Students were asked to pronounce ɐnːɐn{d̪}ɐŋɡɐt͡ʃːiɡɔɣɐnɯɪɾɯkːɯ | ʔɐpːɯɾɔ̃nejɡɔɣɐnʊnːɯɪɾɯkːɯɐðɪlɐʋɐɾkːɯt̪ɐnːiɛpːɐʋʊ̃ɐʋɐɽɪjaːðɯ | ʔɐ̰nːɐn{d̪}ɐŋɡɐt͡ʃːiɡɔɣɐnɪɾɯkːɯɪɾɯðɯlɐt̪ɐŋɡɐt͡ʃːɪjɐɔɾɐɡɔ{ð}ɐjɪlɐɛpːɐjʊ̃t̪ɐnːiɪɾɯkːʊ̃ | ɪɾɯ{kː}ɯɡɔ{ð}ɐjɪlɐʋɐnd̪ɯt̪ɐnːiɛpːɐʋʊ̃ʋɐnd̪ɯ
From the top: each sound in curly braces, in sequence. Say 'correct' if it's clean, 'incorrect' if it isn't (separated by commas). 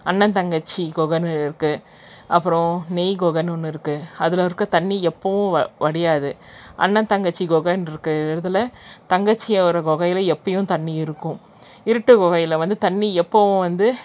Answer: incorrect, incorrect, incorrect, incorrect, incorrect